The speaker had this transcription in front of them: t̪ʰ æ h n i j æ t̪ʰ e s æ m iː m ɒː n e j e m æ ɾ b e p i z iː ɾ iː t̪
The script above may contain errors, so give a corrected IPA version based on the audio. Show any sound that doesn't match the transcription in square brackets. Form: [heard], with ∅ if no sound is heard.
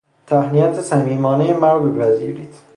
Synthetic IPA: t̪ʰ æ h n i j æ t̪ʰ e s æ m iː m ɒː n e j e m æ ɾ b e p [æ] z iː ɾ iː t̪